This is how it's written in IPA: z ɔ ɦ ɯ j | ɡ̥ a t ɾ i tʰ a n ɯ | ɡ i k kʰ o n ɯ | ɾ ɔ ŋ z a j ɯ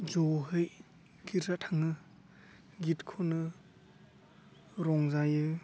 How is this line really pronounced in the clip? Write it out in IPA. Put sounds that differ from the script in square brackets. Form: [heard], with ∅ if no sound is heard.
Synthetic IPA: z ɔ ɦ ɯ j | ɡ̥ [i] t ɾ [a] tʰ a [ŋ] ɯ | ɡ i [t] kʰ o n ɯ | ɾ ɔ ŋ z a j ɯ